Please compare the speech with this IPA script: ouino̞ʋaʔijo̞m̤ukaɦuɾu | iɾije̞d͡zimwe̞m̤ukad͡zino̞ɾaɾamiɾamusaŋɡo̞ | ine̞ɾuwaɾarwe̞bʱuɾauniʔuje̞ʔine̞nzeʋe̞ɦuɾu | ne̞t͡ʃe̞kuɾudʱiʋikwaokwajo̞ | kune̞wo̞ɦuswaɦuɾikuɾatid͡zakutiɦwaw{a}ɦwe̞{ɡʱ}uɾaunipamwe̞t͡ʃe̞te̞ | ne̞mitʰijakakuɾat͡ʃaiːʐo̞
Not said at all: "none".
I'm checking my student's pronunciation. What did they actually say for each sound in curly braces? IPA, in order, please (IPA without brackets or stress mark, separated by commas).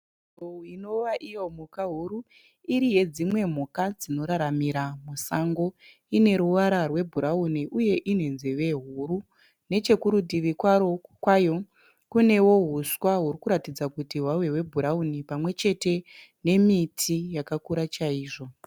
e, bʱ